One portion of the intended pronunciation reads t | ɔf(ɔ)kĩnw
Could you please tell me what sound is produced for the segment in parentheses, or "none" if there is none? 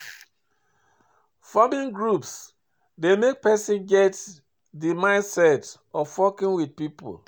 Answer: ɔ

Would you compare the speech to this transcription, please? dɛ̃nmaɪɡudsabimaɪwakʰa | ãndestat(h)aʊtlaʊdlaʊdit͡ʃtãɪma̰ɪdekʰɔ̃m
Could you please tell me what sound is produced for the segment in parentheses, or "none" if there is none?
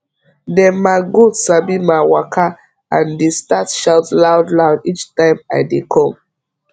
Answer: ʃ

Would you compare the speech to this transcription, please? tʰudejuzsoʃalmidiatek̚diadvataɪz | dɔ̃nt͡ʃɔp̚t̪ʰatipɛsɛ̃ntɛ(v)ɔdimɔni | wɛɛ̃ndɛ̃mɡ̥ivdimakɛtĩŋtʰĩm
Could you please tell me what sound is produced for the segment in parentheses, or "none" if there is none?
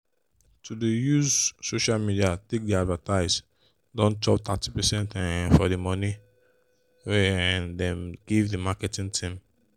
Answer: f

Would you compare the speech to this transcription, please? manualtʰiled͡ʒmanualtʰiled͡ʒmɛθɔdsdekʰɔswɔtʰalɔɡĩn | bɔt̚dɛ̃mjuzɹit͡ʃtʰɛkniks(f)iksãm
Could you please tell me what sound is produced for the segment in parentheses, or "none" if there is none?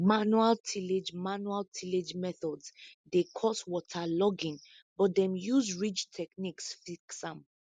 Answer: f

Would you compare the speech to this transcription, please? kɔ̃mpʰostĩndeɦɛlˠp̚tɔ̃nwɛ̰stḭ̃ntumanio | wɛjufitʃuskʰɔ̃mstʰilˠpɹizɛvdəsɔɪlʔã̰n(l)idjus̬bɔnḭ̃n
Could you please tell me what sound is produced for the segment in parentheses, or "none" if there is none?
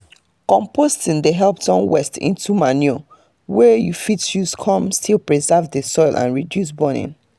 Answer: ɹ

